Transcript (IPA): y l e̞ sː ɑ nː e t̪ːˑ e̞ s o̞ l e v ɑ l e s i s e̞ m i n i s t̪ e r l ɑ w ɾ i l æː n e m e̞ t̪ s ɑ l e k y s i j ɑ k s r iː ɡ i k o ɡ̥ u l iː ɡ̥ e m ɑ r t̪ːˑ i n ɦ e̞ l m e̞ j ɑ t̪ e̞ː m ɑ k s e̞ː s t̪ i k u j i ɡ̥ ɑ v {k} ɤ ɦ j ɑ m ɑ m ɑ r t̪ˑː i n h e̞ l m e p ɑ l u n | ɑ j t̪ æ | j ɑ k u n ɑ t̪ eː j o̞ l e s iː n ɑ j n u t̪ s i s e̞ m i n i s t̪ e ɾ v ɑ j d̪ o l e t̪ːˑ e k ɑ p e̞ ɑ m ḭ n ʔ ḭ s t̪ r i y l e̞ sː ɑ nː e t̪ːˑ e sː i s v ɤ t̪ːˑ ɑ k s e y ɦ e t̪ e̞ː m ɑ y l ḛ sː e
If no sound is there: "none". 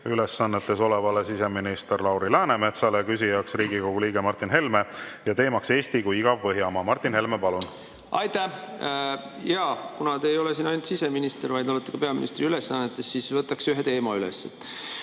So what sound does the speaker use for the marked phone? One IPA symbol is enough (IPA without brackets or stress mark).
p